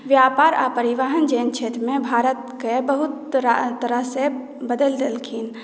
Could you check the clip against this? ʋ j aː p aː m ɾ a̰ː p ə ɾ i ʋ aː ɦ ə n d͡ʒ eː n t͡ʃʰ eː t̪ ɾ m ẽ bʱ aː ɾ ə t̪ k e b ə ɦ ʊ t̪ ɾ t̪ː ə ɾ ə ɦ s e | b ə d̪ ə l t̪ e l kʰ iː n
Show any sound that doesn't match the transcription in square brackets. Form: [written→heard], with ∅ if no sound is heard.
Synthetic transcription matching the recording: ʋ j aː p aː [m→∅] ɾ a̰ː p ə ɾ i ʋ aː ɦ ə n d͡ʒ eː n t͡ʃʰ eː t̪ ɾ m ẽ bʱ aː ɾ ə t̪ k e b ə ɦ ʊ t̪ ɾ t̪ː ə ɾ ə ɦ s e | b ə d̪ ə l [t̪→d̪] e l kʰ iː n